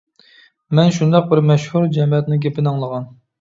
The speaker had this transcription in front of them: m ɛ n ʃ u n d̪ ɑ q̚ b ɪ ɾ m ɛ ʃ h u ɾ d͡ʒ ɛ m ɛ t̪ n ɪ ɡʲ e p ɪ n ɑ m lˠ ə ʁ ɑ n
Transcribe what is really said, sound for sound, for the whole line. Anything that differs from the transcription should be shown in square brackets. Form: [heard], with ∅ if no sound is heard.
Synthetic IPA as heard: m ɛ n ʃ u n d̪ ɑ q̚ b ɪ ɾ m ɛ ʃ h u ɾ d͡ʒ ɛ m ɛ t̪ n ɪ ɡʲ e p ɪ n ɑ [ŋ] lˠ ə ʁ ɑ n